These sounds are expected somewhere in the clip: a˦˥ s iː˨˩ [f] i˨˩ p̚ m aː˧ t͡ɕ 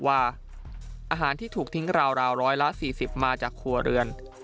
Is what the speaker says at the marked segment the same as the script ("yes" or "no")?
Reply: no